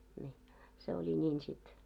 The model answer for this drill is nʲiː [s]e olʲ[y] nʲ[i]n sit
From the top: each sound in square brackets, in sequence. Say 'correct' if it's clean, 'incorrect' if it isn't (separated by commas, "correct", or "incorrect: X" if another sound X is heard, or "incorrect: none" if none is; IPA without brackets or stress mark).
correct, incorrect: i, incorrect: iː